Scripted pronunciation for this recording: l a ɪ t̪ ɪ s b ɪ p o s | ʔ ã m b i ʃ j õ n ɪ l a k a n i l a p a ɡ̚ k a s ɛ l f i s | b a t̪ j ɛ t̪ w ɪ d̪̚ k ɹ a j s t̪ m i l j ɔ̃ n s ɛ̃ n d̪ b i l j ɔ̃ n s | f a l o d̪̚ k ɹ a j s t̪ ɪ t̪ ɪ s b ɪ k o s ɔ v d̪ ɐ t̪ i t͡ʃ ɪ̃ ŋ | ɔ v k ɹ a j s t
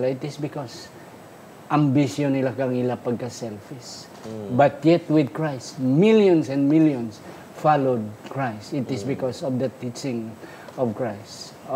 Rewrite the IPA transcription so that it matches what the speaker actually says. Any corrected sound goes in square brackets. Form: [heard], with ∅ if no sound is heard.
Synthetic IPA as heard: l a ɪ t̪ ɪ s b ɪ [k] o s | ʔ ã m b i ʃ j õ n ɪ l a k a [ŋ] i l a p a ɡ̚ k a s ɛ l f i s | b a t̪ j ɛ t̪ w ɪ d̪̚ k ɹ a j s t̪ m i l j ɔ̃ n s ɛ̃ n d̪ [m] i l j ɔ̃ n s | f a l o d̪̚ k ɹ a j s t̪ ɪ t̪ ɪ s b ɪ k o s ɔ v d̪ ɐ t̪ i t͡ʃ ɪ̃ ŋ | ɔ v k ɹ a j s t